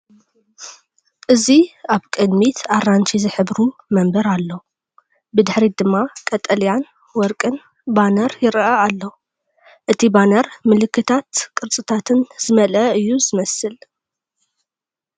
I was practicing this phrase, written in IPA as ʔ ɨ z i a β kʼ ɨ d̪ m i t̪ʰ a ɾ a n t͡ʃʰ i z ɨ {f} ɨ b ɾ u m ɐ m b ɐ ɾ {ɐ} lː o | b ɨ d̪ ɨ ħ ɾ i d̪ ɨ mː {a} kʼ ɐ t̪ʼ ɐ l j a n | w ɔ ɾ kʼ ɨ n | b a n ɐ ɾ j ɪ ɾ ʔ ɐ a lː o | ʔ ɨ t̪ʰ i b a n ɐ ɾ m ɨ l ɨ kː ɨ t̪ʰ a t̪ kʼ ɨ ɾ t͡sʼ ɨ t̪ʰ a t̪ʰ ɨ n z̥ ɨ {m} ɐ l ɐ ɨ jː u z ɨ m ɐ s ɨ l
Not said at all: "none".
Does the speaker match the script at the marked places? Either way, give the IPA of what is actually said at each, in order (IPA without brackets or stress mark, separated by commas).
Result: ħ, a, a, m